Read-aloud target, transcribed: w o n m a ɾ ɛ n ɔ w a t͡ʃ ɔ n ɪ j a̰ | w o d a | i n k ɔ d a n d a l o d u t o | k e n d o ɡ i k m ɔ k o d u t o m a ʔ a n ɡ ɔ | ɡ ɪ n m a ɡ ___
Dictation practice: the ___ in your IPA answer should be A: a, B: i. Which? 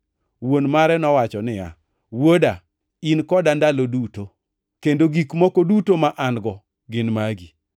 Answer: B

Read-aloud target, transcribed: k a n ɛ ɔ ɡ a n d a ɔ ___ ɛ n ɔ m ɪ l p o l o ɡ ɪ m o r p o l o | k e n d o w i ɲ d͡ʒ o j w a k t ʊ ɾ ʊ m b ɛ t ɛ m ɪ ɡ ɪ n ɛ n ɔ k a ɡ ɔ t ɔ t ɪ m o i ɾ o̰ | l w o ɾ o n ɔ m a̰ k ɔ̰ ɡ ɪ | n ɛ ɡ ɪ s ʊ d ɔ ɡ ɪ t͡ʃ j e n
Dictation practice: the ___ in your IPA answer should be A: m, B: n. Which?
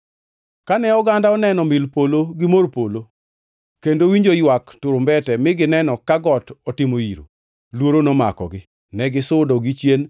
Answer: B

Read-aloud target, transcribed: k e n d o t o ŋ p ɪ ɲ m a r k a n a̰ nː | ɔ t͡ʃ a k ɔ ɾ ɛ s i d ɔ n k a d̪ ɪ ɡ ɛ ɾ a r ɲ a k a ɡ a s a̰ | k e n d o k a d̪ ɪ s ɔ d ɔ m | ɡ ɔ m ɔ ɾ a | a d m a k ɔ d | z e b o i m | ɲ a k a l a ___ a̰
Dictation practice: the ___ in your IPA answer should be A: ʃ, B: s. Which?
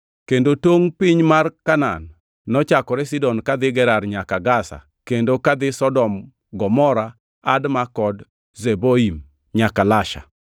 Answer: A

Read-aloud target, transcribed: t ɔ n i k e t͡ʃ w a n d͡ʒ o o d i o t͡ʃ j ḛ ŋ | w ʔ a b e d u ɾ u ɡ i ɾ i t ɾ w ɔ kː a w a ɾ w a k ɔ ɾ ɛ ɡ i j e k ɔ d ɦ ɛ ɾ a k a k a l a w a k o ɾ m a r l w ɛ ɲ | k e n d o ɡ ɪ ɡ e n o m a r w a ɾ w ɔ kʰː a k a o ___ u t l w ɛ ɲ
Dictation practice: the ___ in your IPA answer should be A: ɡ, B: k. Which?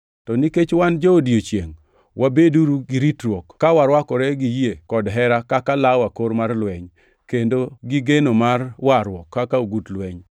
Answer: A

